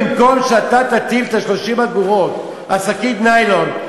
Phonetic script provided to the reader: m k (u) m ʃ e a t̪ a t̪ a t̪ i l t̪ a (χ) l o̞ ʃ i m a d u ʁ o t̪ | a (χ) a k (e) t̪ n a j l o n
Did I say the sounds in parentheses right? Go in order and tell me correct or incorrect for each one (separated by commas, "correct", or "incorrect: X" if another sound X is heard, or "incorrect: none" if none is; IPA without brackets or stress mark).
incorrect: o, incorrect: ʃ, incorrect: s, incorrect: i